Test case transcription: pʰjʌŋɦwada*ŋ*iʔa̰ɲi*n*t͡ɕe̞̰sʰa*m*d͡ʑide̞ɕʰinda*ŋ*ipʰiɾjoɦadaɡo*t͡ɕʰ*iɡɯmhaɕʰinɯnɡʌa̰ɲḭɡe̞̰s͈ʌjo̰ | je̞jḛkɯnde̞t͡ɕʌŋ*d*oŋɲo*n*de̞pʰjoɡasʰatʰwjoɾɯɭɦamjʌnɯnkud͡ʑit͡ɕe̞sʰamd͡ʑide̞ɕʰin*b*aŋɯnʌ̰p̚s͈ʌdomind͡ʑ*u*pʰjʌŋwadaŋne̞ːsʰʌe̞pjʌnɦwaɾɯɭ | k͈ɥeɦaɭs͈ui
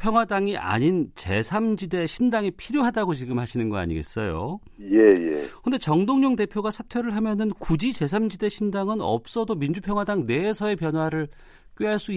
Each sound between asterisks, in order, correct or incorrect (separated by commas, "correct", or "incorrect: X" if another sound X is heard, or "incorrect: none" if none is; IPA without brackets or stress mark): correct, correct, correct, correct, incorrect: t͡ɕ, correct, incorrect: ŋ, incorrect: d, correct